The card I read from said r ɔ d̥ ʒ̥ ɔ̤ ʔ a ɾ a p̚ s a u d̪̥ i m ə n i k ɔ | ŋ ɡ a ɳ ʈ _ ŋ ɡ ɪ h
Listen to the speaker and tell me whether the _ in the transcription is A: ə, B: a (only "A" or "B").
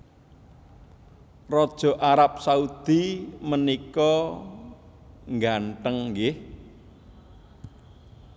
A